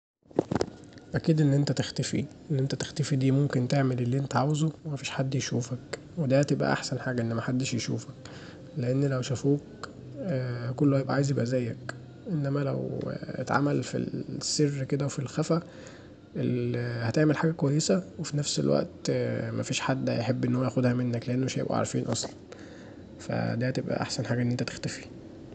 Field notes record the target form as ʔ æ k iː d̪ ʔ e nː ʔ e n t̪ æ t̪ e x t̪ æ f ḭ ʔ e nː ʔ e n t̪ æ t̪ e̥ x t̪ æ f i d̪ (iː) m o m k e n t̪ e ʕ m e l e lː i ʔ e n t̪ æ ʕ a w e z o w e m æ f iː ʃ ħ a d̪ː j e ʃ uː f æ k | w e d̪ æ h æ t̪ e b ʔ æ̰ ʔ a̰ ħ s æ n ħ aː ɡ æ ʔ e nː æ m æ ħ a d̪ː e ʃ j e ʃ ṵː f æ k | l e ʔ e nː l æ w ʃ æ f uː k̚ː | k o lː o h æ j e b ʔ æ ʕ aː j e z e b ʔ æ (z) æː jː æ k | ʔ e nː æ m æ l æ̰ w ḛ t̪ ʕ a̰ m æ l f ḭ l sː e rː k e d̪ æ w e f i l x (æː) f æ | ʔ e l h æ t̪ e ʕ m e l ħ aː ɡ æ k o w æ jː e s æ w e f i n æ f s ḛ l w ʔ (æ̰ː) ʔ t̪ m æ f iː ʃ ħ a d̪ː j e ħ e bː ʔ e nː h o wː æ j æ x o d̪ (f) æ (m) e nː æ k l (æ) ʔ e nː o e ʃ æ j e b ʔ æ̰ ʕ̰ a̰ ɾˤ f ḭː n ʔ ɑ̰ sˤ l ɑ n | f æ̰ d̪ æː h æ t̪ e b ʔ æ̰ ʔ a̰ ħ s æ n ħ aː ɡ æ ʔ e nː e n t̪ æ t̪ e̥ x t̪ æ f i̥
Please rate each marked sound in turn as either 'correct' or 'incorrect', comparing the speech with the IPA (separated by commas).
correct, correct, incorrect, incorrect, incorrect, correct, incorrect